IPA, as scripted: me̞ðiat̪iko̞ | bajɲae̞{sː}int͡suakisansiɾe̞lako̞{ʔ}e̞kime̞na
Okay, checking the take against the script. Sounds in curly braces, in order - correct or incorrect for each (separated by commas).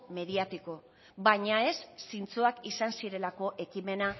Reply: correct, correct